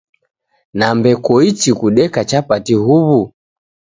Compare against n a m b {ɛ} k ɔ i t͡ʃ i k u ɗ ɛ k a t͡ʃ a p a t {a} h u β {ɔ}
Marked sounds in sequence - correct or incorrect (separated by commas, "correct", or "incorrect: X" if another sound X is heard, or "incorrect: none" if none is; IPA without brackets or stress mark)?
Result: correct, incorrect: i, incorrect: u